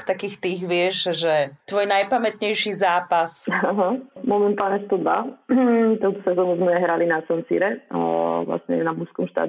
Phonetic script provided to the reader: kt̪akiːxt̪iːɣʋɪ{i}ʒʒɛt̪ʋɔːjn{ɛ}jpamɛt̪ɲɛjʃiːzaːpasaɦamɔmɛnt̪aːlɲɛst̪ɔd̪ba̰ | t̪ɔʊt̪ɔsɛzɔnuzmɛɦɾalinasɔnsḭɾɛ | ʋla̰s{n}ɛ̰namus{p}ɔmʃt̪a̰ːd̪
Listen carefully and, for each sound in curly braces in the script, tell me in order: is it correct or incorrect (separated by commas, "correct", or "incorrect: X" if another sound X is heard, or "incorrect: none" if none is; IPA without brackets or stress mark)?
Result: incorrect: ɛ, incorrect: a, incorrect: ɲ, incorrect: k